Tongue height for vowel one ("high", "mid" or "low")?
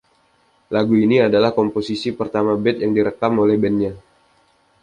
low